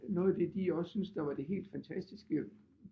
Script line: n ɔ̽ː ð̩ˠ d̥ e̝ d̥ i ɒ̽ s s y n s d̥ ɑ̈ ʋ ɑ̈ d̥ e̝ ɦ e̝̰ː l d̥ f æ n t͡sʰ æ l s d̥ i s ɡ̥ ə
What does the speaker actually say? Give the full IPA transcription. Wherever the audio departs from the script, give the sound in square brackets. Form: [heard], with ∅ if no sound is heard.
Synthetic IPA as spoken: n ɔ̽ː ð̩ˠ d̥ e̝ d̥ i ɒ̽ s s y n s d̥ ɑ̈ ʋ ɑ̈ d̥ e̝ ɦ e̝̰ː l d̥ f æ n t͡sʰ æ [∅] s d̥ i s ɡ̥ ə